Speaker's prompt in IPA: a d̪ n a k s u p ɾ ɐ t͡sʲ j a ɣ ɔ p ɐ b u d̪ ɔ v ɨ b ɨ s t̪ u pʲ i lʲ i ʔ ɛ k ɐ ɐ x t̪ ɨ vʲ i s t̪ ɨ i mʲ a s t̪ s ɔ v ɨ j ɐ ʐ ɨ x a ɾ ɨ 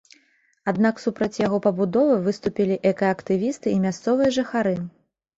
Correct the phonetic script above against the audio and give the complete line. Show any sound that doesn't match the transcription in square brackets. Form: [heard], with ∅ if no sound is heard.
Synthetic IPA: a d̪ n a k s u p ɾ ɐ t͡sʲ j a ɣ ɔ p ɐ b u d̪ ɔ v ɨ [v] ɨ s t̪ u pʲ i lʲ i ʔ ɛ k ɐ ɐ [k] t̪ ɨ vʲ i s t̪ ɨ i mʲ a s t̪ s ɔ v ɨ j ɐ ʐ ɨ x a ɾ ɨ

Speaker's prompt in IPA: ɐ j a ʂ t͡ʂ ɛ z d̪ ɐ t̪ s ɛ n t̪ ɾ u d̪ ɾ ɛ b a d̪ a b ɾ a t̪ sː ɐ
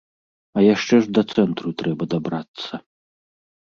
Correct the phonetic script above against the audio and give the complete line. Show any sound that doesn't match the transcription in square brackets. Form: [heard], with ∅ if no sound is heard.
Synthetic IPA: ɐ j a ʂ t͡ʂ ɛ [ʐ] d̪ ɐ t̪ s ɛ n t̪ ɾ u [t̪] ɾ ɛ b [ɐ] d̪ a b ɾ a t̪ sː ɐ

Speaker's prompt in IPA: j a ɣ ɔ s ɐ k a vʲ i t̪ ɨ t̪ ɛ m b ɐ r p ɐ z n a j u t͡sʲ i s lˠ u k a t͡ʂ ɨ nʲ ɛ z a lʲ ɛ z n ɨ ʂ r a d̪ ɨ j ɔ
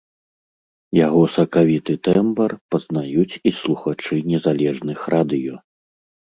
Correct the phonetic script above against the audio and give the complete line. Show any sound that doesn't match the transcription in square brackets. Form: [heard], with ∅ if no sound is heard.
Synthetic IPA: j a ɣ ɔ s ɐ k a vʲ i t̪ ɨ t̪ ɛ m b ɐ r p ɐ z n a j u t͡sʲ i s lˠ u [x] a t͡ʂ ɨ nʲ ɛ z a lʲ ɛ [ʐ] n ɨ [x] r a d̪ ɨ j ɔ

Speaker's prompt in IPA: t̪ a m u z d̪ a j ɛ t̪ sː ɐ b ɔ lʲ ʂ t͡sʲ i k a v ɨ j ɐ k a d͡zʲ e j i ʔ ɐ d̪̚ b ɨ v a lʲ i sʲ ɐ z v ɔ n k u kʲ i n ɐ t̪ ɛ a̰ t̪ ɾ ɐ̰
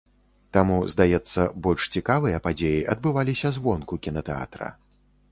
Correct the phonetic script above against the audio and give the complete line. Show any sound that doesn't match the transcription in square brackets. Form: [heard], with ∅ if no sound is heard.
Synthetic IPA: t̪ a m u z d̪ a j ɛ t̪ sː ɐ b ɔ lʲ ʂ t͡sʲ i k a v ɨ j ɐ [p] a d͡zʲ e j i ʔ ɐ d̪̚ b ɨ v a lʲ i sʲ ɐ z v ɔ n k u kʲ i n ɐ t̪ ɛ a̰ t̪ ɾ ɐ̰

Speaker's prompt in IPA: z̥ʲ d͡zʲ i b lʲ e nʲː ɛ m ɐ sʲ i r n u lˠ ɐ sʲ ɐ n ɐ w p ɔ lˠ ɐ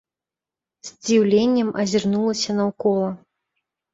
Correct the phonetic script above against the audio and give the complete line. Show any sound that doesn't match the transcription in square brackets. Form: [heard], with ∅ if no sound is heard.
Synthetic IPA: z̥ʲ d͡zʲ i [w] lʲ e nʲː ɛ m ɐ [zʲ] i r n u lˠ ɐ sʲ ɐ n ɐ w [k] ɔ lˠ ɐ

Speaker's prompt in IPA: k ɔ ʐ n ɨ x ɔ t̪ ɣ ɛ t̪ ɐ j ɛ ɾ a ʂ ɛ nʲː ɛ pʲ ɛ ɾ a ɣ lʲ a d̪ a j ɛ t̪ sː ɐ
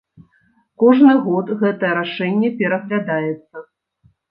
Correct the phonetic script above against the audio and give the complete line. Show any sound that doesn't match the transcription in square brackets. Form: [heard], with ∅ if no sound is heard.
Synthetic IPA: k ɔ ʐ n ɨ [ɣ] ɔ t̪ ɣ ɛ t̪ ɐ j ɛ ɾ a ʂ ɛ nʲː ɛ pʲ ɛ ɾ [ɐ] ɣ lʲ a d̪ a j ɛ t̪ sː ɐ

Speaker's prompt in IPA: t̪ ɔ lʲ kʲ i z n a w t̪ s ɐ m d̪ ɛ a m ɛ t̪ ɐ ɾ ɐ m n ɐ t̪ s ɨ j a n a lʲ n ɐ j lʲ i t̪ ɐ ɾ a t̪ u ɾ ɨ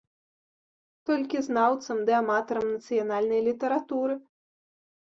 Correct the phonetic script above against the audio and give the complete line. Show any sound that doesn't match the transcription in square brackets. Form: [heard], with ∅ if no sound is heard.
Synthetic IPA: t̪ ɔ lʲ kʲ i z n a w t̪ s ɐ m d̪ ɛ a m [a] t̪ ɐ ɾ ɐ m n ɐ t̪ s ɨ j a n a lʲ n ɐ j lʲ i t̪ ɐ ɾ a t̪ u ɾ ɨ

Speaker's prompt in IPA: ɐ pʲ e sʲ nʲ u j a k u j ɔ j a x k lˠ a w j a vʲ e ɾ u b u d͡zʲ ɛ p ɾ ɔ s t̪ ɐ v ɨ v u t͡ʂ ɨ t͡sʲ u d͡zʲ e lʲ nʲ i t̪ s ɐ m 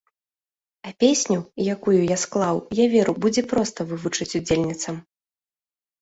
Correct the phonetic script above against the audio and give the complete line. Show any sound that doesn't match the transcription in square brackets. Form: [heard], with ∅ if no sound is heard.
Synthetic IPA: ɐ pʲ e sʲ nʲ u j a k u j [u] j a [s] k lˠ a w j a vʲ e ɾ u b u d͡zʲ ɛ p ɾ ɔ s t̪ ɐ v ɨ v u t͡ʂ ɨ t͡sʲ u d͡zʲ e lʲ nʲ i t̪ s ɐ m

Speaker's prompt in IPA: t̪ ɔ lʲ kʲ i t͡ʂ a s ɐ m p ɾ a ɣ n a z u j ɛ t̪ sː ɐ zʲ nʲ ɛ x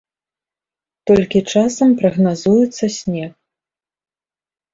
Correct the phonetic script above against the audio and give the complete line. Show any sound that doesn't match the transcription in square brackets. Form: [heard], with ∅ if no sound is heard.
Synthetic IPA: t̪ ɔ lʲ kʲ i t͡ʂ a s ɐ m p ɾ [ɐ] ɣ n a z u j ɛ t̪ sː ɐ [sʲ] nʲ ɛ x

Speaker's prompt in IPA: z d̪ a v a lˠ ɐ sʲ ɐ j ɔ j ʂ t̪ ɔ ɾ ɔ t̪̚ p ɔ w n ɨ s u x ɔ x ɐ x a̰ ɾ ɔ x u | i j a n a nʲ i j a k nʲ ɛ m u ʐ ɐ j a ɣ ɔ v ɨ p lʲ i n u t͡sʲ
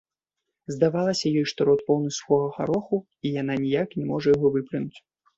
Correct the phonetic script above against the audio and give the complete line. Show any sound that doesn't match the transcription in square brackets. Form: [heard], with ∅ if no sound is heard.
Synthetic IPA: z d̪ a v a lˠ ɐ sʲ ɐ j ɔ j ʂ t̪ ɔ ɾ ɔ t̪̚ p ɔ w n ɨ s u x ɔ [ɣ] ɐ x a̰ ɾ ɔ x u | i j a n a nʲ i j a k nʲ ɛ m [ɔ] ʐ ɐ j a ɣ ɔ v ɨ p lʲ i n u t͡sʲ

